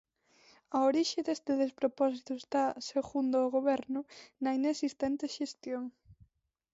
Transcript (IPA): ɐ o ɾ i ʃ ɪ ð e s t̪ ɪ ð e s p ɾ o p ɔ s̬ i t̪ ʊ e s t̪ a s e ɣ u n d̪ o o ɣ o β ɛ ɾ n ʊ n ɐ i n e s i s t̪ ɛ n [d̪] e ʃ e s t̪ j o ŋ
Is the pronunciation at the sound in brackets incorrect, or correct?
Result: incorrect